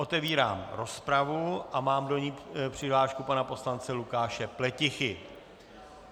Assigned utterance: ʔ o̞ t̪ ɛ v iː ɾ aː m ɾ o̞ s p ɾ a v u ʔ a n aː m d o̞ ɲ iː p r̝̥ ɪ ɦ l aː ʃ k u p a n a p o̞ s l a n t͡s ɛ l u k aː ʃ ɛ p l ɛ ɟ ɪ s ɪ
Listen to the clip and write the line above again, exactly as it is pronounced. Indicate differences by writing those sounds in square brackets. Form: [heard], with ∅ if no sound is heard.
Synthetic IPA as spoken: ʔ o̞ t̪ ɛ v iː ɾ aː m ɾ o̞ s p ɾ a v u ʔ a [m] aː m d o̞ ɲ iː p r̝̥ ɪ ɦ l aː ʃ k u p a n a p o̞ s l a n t͡s ɛ l u k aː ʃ ɛ p l ɛ [c] ɪ [x] ɪ